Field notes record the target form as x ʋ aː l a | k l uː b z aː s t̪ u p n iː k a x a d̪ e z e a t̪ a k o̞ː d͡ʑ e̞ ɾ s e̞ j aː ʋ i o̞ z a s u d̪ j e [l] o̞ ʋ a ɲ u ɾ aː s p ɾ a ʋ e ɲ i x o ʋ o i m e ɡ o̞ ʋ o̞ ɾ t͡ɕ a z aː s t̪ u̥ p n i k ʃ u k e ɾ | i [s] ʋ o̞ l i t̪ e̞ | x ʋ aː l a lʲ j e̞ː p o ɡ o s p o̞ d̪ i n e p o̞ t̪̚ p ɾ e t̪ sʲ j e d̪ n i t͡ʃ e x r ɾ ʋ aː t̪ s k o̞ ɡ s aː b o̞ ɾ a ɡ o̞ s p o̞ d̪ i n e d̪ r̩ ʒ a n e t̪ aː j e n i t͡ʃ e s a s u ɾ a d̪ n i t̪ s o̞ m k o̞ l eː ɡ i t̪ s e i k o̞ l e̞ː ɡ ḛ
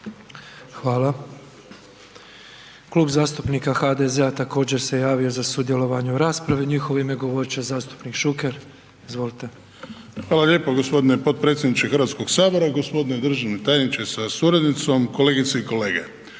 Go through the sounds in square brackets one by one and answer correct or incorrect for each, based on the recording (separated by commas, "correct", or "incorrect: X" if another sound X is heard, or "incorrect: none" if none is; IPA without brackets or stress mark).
correct, incorrect: z